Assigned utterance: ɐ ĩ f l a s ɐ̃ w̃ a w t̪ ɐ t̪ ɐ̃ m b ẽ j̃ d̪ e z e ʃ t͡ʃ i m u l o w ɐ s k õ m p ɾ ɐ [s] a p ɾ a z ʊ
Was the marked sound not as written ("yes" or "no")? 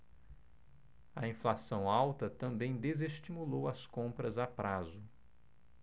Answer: yes